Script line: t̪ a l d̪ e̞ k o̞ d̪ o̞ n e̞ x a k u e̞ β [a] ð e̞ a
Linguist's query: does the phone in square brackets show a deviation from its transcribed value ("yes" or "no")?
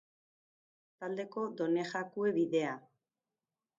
yes